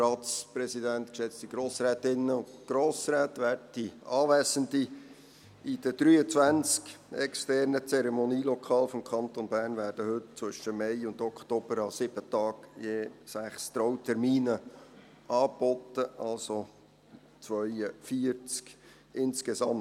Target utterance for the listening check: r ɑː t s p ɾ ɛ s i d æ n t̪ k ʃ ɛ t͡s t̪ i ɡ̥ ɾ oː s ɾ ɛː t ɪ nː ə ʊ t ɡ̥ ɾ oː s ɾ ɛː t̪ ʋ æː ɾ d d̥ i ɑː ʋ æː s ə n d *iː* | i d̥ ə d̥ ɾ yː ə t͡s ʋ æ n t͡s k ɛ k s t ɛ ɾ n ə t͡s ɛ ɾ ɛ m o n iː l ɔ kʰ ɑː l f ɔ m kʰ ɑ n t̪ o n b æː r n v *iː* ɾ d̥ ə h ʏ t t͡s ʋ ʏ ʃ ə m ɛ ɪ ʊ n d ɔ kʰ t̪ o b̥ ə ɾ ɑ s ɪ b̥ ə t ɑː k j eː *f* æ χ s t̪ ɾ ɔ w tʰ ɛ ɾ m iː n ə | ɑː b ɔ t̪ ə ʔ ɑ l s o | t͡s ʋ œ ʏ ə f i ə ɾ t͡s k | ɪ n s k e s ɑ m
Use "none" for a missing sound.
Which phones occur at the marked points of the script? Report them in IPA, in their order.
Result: i, æː, s

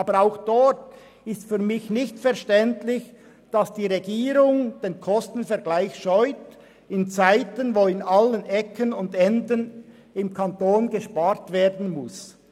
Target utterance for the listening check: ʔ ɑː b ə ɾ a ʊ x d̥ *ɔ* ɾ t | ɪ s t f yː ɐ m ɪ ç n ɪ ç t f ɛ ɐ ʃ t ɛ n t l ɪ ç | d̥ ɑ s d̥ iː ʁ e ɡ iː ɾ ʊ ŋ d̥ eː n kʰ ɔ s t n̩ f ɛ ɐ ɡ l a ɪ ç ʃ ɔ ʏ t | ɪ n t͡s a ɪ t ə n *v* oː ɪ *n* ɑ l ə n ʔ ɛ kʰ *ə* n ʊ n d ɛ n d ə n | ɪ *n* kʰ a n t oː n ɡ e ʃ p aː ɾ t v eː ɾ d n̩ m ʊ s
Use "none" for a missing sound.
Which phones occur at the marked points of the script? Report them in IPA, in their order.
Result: ɔ, v, n, ə, m

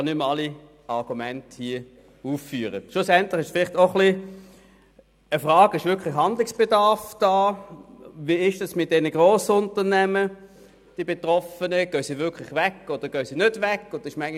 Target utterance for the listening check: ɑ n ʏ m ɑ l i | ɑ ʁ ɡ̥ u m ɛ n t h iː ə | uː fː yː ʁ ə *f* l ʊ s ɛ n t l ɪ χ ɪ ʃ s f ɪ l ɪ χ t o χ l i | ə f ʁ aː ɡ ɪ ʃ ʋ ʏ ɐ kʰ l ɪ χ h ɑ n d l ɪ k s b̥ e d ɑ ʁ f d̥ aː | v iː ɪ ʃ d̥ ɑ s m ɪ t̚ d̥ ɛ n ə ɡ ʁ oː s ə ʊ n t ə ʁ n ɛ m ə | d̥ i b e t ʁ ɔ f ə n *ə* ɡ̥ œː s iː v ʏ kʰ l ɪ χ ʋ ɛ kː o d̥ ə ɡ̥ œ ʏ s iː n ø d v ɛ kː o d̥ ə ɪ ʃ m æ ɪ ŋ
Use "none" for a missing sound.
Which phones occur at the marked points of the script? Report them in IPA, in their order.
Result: ʃ, ə

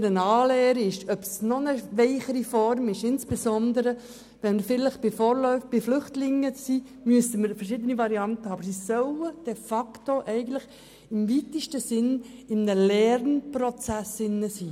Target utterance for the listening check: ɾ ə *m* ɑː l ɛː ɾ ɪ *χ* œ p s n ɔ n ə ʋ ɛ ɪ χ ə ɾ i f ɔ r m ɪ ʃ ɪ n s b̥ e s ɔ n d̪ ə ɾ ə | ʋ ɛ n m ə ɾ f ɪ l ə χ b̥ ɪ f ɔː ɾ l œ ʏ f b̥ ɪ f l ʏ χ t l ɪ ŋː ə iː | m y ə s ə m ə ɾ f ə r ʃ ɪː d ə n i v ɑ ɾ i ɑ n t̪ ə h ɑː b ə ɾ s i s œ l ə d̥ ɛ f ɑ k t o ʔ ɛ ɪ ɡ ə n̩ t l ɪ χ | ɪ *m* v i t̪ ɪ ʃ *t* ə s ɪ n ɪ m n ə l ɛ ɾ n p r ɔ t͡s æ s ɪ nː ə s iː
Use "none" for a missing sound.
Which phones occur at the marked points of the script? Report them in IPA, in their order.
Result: n, ʃ, m, t

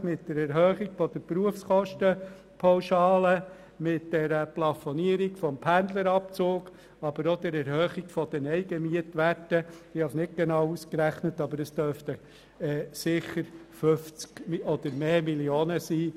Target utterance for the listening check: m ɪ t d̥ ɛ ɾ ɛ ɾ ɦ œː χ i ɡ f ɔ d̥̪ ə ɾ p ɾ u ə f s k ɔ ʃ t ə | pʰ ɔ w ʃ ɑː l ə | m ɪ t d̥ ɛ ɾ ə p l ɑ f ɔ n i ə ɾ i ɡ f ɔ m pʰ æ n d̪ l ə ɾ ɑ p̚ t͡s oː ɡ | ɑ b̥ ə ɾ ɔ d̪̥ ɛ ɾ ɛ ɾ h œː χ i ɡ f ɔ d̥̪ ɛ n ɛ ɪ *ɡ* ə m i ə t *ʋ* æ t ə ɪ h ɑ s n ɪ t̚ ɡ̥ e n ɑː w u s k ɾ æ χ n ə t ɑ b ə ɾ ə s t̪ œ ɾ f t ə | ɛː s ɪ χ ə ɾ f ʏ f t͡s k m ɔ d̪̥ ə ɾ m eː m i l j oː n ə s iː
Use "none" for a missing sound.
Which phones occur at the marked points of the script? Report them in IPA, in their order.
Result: ɡ, ʋ

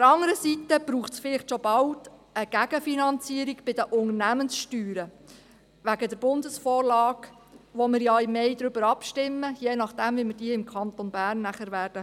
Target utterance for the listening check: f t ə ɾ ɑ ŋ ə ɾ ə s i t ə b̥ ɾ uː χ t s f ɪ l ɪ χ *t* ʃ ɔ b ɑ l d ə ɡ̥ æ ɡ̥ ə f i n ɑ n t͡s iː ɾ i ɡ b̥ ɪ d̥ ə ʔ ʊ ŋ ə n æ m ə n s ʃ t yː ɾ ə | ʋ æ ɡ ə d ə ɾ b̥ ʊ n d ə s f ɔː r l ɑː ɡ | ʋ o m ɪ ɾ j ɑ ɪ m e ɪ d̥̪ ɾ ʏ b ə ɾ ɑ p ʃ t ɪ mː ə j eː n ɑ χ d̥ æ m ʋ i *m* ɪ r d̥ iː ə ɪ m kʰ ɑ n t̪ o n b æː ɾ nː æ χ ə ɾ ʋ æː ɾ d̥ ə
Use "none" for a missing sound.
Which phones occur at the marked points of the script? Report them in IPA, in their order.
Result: t, m

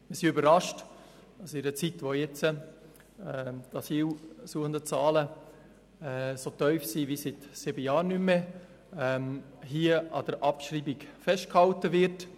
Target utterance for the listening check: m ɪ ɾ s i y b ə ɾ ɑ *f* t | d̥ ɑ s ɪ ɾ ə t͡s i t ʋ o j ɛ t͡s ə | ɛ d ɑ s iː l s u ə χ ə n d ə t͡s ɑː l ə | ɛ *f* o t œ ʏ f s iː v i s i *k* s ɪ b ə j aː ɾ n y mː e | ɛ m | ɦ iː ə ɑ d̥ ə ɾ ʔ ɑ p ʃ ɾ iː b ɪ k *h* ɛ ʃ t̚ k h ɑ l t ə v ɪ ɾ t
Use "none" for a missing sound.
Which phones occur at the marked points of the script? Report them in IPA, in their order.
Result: ʃ, s, t, f

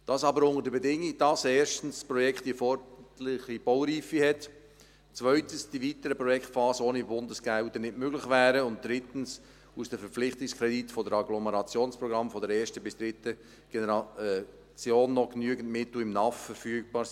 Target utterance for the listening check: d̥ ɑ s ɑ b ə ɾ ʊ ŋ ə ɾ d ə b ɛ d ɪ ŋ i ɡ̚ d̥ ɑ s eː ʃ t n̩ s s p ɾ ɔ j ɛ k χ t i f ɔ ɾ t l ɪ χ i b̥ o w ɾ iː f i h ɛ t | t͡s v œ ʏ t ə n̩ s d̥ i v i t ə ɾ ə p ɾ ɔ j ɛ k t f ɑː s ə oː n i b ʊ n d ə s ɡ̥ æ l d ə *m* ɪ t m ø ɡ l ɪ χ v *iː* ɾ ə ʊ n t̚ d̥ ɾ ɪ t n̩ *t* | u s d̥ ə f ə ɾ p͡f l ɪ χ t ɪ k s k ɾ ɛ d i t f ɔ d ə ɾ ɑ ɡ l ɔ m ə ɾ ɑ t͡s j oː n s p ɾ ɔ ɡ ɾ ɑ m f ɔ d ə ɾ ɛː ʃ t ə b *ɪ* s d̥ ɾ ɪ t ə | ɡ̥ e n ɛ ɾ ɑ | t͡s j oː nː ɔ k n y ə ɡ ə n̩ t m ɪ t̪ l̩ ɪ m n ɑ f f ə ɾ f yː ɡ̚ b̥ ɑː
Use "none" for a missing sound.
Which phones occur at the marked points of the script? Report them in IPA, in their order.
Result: n, æː, s, ɪ

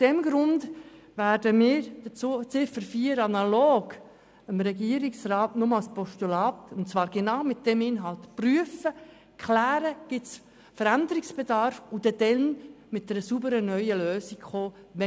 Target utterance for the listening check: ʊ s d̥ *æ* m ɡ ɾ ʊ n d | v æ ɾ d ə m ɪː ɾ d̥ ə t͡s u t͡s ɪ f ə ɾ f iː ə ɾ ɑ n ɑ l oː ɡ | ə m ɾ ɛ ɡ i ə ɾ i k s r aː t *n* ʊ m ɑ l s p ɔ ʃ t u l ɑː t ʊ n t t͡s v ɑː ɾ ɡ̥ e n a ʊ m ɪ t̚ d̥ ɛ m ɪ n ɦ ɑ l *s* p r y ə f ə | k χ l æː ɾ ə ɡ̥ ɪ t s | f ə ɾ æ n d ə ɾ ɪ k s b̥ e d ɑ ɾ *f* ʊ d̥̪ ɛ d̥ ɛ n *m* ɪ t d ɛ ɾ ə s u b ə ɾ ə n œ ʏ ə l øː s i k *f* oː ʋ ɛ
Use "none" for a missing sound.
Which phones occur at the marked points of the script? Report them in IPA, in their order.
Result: ɛ, n, t, f, m, χ

